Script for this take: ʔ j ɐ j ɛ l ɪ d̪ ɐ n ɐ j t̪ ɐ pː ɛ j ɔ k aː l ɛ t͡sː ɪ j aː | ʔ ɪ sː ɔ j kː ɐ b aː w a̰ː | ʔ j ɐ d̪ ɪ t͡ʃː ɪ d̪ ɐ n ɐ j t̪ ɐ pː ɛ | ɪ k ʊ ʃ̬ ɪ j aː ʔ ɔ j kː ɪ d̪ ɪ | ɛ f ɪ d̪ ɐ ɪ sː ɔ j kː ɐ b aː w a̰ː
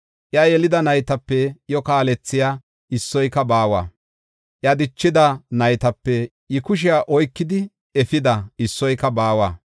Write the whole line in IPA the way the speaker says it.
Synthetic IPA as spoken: ʔ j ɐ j ɛ l ɪ d̪ ɐ n ɐ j t̪ ɐ pː ɛ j ɔ k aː l ɛ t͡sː ɪ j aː | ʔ ɪ sː ɔ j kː ɐ b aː w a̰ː | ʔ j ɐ d̪ ɪ t͡ʃː ɪ d̪ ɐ n ɐ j t̪ ɐ pː ɛ | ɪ k ʊ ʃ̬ ɪ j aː ʔ ɔ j kː ɪ d̪ ɪ | ɛ f ɪ d̪ ɐ ɪ sː ɔ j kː ɐ b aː w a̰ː